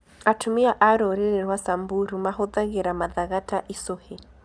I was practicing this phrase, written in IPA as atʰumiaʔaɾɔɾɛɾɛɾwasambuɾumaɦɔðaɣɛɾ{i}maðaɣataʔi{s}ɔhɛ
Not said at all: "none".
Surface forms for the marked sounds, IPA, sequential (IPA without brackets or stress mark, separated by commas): a, s